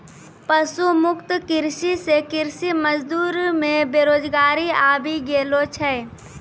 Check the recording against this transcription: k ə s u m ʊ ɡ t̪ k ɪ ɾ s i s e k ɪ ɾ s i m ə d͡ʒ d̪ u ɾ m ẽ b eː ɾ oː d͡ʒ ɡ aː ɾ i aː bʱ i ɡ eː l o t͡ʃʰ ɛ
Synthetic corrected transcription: p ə s u m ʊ k t̪ k ɪ ɾ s i s e k ɪ ɾ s i m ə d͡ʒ d̪ uː ɾ m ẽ b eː ɾ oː d͡ʒ ɡ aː ɾ i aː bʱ i ɡ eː l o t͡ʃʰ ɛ